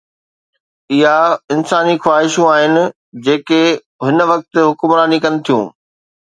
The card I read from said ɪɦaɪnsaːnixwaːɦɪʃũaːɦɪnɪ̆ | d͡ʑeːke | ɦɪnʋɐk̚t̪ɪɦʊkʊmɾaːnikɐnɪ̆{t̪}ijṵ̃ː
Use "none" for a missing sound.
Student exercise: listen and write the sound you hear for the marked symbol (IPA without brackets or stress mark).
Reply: t̪ʰ